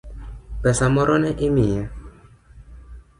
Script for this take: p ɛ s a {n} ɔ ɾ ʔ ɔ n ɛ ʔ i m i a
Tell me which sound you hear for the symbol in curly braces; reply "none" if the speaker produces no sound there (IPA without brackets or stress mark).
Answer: m